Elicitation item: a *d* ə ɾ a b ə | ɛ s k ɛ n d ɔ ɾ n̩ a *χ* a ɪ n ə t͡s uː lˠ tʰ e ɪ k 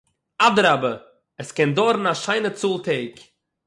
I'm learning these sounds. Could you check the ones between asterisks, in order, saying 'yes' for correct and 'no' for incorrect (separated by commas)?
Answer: yes, no